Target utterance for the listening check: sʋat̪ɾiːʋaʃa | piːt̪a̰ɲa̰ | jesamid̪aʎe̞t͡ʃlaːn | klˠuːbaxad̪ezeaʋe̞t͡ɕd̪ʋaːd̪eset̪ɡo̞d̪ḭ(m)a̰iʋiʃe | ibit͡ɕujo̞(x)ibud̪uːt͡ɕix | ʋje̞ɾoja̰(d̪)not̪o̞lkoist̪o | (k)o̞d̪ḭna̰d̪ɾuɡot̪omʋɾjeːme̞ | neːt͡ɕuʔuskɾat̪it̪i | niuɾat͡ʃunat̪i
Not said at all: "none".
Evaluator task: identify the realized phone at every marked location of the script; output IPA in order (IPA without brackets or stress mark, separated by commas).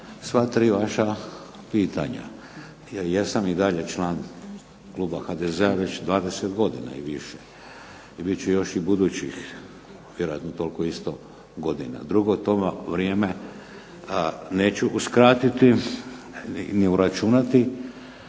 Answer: n, ʃ, t̪, ɡ